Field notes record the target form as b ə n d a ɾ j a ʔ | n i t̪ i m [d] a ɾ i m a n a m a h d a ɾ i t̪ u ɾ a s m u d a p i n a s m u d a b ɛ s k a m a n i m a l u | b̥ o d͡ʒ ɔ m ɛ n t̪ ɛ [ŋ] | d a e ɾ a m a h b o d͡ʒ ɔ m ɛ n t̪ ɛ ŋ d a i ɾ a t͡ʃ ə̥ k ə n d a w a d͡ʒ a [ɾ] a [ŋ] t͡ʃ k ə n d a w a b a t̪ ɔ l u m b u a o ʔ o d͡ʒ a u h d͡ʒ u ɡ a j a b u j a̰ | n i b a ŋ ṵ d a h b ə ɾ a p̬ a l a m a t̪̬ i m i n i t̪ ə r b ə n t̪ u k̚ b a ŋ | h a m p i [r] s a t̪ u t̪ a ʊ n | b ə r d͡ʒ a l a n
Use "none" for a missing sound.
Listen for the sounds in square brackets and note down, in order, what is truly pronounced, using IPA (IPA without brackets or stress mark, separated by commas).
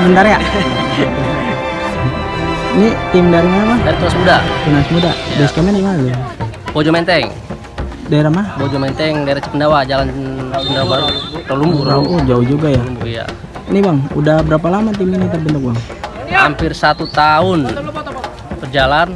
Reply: d, ŋ, l, n, r